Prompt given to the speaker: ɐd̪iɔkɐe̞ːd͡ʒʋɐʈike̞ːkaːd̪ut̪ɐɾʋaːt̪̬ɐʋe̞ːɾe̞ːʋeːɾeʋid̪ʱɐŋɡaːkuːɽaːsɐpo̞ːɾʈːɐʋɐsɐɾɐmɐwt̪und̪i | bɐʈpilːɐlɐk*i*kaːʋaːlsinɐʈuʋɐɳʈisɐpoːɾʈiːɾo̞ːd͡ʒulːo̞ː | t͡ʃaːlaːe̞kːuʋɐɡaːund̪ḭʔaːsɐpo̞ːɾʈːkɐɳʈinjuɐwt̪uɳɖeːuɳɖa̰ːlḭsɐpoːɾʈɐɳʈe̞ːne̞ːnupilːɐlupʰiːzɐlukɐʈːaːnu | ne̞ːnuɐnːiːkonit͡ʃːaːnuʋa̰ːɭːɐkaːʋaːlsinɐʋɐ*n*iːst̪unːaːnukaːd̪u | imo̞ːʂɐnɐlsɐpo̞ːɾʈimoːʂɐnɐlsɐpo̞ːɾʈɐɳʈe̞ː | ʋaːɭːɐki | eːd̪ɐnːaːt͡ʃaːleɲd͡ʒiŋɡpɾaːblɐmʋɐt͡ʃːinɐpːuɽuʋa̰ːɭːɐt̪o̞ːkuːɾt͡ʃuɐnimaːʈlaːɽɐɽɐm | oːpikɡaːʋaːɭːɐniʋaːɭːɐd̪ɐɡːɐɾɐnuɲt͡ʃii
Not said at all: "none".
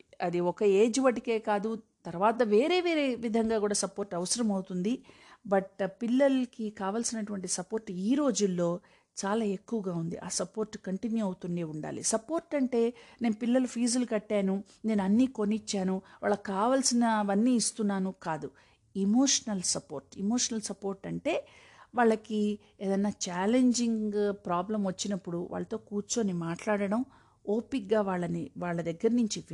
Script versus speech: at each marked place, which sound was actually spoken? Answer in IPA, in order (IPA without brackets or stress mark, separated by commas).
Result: i, nː